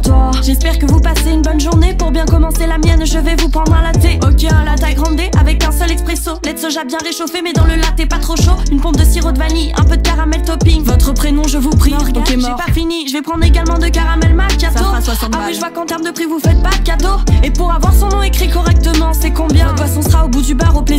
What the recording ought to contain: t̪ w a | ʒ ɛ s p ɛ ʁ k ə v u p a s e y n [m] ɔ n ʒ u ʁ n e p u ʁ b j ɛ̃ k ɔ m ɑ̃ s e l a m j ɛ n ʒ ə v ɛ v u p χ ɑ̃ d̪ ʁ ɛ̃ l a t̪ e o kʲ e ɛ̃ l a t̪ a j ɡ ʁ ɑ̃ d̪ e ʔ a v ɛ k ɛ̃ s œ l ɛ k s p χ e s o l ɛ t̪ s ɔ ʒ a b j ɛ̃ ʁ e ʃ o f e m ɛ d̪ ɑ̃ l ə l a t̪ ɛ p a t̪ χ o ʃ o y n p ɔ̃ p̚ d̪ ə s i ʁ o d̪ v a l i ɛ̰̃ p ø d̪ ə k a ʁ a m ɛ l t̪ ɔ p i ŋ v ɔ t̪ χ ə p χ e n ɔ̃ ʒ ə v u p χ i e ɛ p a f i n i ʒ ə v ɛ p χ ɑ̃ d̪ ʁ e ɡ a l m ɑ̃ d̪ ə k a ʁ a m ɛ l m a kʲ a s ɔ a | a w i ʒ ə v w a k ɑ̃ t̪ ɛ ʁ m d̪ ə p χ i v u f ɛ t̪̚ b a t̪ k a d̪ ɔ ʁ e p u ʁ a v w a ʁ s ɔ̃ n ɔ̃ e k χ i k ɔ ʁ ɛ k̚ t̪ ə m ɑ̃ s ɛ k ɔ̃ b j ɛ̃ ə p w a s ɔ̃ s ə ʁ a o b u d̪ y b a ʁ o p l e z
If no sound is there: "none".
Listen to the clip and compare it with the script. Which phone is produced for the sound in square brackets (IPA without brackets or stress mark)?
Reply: b